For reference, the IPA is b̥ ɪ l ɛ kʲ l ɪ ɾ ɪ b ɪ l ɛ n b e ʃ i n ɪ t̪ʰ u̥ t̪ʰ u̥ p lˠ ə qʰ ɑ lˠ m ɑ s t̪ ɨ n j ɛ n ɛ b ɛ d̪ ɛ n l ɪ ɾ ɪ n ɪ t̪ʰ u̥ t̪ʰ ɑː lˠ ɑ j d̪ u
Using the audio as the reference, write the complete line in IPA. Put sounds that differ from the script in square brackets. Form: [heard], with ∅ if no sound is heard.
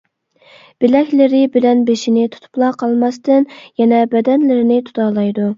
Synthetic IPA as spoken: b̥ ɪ l ɛ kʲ l ɪ ɾ ɪ b ɪ l ɛ n b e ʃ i n ɪ t̪ʰ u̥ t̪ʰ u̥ p lˠ [ɑ] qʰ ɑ lˠ m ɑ s t̪ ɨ n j ɛ n ɛ b ɛ d̪ ɛ n l ɪ ɾ ɪ n ɪ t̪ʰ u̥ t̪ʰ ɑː lˠ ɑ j d̪ u